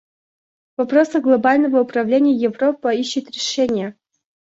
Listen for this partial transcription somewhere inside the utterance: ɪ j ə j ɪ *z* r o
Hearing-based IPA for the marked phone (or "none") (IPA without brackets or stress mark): v